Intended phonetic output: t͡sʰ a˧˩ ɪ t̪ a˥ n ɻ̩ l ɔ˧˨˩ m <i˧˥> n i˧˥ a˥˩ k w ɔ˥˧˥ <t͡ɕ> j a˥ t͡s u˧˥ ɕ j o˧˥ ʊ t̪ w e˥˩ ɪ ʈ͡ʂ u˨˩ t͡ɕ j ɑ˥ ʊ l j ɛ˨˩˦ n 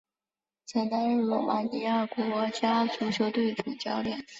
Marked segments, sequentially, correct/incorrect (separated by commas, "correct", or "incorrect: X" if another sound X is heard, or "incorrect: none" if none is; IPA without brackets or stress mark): incorrect: a˧˥, correct